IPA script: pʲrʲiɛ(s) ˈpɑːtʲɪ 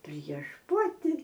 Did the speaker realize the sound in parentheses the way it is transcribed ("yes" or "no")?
no